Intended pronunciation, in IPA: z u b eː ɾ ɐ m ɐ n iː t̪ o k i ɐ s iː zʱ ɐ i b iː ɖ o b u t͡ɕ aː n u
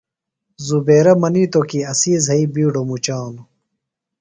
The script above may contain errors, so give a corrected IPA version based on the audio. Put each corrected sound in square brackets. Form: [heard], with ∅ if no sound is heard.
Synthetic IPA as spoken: z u b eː ɾ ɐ m ɐ n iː t̪ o k i ɐ s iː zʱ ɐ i b iː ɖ o [m] u t͡ɕ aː n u